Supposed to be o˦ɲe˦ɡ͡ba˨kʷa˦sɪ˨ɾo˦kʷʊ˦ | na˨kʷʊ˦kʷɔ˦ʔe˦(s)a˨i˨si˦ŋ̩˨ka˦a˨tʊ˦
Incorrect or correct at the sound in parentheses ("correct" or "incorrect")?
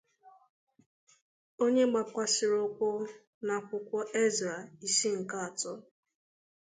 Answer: incorrect